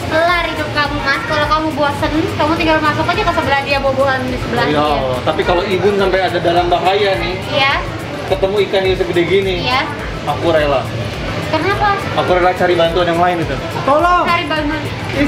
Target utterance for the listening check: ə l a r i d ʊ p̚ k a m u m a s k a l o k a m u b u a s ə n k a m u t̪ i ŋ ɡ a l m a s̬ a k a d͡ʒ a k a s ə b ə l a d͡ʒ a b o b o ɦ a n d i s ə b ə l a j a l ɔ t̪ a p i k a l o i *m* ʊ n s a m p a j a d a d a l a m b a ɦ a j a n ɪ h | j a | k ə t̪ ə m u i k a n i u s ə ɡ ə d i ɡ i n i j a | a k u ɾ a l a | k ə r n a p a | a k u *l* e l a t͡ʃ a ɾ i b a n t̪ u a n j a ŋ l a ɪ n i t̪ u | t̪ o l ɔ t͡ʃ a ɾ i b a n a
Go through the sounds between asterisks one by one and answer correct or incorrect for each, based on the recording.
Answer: incorrect: b, incorrect: ɾ

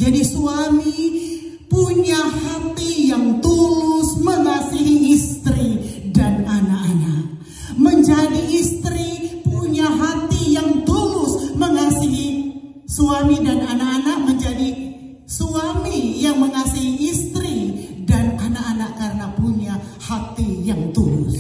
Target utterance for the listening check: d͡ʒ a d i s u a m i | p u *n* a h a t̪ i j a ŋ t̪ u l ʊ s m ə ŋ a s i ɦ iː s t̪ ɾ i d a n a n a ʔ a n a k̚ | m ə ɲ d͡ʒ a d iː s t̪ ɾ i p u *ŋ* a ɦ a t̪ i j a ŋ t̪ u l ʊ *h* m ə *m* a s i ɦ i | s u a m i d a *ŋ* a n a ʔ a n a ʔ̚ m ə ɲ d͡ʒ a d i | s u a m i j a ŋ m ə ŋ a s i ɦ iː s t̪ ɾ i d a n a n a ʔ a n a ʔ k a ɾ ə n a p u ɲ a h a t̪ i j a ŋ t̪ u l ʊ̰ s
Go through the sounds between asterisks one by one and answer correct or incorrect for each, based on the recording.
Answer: incorrect: ɲ, incorrect: ɲ, incorrect: s, incorrect: ŋ, incorrect: n

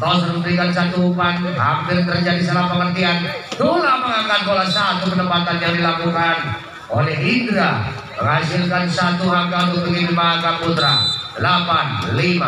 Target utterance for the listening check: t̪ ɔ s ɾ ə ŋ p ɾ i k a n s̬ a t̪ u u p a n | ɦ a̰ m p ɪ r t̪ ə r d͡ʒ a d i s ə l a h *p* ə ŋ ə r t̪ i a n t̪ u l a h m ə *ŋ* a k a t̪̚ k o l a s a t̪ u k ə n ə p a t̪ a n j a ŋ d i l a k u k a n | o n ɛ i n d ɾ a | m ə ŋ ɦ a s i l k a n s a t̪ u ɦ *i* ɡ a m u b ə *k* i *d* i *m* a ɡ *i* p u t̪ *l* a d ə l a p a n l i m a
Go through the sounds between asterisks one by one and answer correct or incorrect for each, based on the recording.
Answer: correct, correct, incorrect: a, incorrect: ɡ, incorrect: n, correct, incorrect: a, incorrect: ɾ

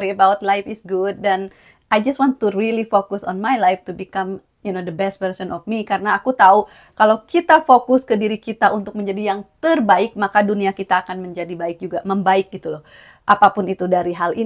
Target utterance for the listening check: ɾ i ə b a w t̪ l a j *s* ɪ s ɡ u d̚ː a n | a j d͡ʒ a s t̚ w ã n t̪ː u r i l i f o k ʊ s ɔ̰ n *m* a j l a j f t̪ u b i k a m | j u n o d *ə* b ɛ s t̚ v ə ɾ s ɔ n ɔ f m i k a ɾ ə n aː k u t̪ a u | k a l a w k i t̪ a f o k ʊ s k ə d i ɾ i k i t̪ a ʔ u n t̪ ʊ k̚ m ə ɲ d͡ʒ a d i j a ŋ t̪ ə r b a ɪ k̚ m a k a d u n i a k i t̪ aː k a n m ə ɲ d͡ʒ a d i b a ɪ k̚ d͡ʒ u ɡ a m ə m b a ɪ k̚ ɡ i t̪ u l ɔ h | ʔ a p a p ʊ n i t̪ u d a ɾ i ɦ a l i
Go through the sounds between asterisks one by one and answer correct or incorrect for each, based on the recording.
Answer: incorrect: f, correct, correct

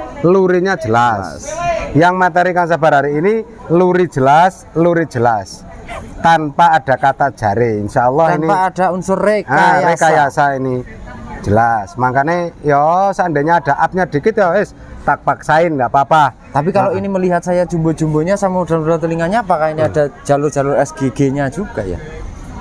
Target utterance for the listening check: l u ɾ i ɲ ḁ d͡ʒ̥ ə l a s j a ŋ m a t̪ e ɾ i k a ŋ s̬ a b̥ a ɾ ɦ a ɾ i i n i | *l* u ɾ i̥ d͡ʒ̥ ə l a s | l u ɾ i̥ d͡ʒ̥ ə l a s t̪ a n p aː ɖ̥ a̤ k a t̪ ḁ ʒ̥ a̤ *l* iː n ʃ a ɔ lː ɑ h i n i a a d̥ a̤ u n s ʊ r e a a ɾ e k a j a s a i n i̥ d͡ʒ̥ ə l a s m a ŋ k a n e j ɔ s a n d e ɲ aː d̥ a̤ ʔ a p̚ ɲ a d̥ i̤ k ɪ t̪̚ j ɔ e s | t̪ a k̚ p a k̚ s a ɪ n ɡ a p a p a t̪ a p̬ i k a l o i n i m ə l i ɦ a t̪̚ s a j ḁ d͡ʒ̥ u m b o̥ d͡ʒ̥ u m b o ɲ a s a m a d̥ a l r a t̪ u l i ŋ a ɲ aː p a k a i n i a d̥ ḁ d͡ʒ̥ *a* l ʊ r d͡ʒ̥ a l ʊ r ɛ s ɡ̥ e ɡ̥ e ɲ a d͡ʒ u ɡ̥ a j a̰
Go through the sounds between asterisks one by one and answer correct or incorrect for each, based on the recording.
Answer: correct, incorrect: ɾ, correct

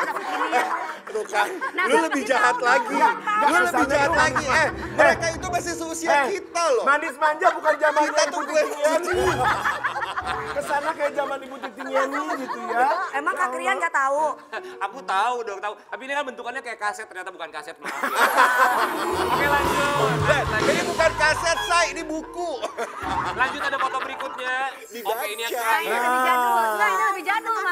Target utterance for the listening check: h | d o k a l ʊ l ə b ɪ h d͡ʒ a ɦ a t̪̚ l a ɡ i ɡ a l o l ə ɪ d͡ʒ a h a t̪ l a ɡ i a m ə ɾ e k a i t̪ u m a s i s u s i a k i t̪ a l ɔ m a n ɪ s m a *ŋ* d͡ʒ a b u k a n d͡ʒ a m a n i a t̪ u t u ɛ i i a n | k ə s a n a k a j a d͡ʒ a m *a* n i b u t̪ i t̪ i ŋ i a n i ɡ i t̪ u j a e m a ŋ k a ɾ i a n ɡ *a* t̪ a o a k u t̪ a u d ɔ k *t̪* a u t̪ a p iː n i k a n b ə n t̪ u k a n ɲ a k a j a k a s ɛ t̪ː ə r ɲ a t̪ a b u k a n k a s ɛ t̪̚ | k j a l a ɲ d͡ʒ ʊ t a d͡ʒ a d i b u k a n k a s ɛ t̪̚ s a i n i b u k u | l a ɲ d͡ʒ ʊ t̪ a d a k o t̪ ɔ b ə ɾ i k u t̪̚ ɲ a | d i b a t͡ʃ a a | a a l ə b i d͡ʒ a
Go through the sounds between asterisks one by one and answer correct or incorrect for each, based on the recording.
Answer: incorrect: ɲ, correct, correct, correct

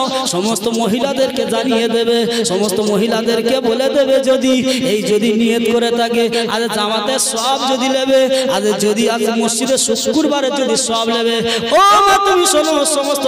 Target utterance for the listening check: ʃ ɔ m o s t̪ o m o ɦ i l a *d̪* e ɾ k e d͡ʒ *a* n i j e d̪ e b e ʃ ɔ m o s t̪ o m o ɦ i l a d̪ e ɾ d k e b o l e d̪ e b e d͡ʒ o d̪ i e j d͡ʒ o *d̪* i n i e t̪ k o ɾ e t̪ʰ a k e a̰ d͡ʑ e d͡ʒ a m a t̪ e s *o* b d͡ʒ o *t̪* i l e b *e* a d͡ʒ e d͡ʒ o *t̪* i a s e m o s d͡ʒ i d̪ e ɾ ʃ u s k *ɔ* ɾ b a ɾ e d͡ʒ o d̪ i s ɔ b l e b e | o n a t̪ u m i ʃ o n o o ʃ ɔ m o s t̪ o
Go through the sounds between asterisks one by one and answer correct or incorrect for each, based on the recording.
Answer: correct, correct, correct, incorrect: ɔ, incorrect: d̪, correct, incorrect: d̪, incorrect: u

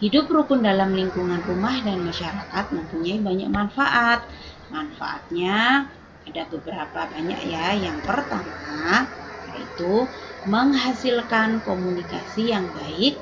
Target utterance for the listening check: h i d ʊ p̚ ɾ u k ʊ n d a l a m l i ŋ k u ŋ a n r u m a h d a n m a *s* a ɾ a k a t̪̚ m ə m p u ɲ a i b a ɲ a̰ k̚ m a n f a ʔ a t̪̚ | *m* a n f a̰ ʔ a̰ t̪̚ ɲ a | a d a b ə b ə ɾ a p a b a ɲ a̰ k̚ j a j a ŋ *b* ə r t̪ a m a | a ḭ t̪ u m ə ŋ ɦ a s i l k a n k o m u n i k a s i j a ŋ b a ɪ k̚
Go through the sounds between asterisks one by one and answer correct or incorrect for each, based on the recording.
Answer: incorrect: ʃ, correct, incorrect: p

